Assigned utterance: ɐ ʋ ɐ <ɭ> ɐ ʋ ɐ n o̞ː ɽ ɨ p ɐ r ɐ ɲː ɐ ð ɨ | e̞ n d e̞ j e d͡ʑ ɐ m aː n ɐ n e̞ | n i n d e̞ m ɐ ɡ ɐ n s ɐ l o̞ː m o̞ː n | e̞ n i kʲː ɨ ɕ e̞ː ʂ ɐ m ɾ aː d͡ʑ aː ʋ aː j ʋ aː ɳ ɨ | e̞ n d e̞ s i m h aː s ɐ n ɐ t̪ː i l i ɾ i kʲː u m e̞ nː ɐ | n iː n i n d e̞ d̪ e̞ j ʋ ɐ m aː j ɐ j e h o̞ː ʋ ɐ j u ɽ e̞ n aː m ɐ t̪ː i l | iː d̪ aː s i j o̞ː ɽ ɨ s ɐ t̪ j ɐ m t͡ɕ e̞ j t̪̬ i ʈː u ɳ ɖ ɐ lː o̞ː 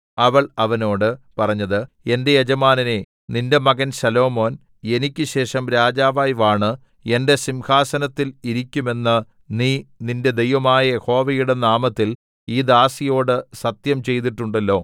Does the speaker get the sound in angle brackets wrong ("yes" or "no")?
no